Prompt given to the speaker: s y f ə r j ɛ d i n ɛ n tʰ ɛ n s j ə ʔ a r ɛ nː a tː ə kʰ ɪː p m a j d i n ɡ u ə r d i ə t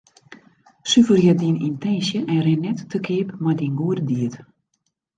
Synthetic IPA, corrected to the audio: s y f ə r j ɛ d i n i n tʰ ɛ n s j ə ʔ ɛ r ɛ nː ɛ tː ə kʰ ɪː p m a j d i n ɡ u ə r d i ə t